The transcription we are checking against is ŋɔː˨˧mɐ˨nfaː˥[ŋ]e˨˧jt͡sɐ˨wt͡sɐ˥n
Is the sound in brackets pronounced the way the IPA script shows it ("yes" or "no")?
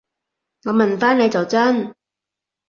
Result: no